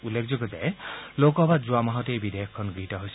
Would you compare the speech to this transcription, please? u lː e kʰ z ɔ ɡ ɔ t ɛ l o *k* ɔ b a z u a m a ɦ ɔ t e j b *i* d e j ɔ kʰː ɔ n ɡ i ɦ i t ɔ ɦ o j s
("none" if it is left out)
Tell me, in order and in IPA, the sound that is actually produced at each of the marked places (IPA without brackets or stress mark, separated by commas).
k, i